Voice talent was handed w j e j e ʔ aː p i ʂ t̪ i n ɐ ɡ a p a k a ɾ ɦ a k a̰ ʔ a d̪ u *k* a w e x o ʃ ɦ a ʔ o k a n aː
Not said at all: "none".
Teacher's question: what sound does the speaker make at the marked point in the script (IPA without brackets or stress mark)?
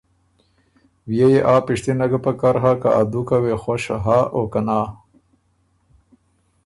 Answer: k